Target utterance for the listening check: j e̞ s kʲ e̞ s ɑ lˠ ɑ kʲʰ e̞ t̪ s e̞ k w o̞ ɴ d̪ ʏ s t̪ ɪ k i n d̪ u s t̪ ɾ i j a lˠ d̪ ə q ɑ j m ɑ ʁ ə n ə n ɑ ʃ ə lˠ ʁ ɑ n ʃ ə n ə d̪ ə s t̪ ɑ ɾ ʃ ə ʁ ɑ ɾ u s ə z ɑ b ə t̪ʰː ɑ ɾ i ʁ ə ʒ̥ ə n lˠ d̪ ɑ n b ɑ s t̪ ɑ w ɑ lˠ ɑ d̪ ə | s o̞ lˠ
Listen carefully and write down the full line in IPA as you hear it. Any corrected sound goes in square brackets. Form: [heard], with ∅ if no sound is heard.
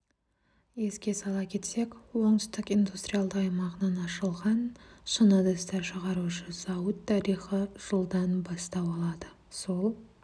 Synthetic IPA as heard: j e̞ s kʲ e̞ s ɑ lˠ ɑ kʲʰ e̞ t̪ s e̞ k w o̞ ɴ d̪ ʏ s t̪ ɪ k i n d̪ u s t̪ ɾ i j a lˠ d̪ ə q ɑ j m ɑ ʁ ə n [ɑ] n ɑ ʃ ə lˠ ʁ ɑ n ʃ ə n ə d̪ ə s t̪ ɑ ɾ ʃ ə ʁ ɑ ɾ u [ʃ] ə z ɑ [w] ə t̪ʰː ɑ ɾ i [χ] ə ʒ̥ ə [∅] lˠ d̪ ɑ n b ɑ s t̪ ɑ w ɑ lˠ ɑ d̪ ə | s o̞ lˠ